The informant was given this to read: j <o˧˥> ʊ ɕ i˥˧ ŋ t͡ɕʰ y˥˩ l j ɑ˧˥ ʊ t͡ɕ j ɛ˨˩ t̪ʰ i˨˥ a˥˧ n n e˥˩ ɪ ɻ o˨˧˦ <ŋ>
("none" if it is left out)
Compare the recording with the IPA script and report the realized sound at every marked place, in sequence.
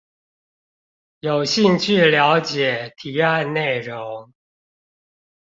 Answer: o˨˩, ŋ

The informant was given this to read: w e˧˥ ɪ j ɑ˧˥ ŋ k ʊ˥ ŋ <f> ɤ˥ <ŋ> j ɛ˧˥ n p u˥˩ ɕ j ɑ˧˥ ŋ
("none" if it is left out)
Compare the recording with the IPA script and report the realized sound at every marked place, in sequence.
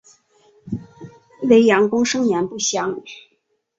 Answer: ʂ, ŋ

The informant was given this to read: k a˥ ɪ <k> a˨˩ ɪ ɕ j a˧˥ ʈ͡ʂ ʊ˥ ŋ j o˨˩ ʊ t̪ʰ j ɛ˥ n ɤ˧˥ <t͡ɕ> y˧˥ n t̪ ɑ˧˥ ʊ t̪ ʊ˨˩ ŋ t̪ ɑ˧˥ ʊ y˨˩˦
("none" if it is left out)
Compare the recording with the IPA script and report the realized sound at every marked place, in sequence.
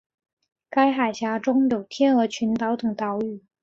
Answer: x, t͡ɕʰ

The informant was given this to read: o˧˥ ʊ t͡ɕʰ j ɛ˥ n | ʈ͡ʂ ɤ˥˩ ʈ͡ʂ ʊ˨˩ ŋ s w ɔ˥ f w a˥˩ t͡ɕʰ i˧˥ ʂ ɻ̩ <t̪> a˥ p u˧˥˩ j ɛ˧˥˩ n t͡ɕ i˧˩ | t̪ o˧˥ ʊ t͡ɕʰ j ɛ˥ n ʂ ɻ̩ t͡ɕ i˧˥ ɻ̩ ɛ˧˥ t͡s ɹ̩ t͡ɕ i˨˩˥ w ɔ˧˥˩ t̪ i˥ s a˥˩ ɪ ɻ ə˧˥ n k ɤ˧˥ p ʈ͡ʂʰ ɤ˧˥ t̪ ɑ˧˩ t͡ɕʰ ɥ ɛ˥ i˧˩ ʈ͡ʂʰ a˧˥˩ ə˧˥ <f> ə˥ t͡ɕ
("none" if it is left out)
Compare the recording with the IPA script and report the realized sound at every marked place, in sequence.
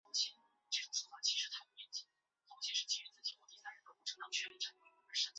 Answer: t̪ʰ, ʂ

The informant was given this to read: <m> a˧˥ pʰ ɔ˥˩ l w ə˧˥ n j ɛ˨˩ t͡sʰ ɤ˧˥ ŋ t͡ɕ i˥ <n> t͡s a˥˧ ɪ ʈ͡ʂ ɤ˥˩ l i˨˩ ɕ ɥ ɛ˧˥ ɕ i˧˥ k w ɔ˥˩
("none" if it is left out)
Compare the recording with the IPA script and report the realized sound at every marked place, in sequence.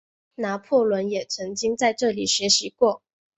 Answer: n, ŋ

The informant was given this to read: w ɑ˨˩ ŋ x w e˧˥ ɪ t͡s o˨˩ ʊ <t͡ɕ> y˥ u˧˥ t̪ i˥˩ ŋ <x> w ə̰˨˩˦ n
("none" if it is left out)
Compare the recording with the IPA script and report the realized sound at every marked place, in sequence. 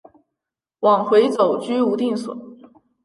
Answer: t͡ɕ, s

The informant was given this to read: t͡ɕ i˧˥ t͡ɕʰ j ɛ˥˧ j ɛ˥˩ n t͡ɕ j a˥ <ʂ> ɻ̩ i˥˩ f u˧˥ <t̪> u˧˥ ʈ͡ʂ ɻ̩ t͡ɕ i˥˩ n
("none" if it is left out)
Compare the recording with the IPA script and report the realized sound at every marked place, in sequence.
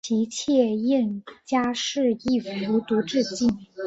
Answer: ʂ, t̪

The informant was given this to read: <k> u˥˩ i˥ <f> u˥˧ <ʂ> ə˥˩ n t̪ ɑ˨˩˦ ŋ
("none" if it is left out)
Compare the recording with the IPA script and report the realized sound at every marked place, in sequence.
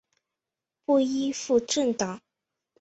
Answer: p, f, ʈ͡ʂ

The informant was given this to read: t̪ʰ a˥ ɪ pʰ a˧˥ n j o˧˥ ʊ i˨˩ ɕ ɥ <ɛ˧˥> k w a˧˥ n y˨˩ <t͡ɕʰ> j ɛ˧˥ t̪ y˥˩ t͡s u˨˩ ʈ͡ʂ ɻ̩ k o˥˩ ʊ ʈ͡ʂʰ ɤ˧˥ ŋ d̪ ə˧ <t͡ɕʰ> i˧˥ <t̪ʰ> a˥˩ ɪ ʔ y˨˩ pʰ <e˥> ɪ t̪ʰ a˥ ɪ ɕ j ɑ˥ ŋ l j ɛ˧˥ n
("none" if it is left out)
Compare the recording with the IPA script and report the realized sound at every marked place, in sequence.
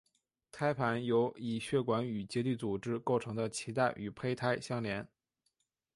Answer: ɛ˥˩, t͡ɕ, t͡ɕʰ, t̪, e˥

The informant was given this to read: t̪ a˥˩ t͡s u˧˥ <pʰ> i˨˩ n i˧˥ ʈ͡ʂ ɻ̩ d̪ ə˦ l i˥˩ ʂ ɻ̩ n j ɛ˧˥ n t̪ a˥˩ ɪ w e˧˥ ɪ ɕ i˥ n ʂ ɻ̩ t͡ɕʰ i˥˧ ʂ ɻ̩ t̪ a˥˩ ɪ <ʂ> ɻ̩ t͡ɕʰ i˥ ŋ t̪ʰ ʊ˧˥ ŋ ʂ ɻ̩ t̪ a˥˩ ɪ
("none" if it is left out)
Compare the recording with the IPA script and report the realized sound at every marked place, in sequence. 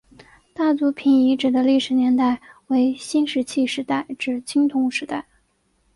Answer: pʰ, ʈ͡ʂ

